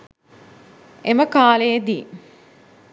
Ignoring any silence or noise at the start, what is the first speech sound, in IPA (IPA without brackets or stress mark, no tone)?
e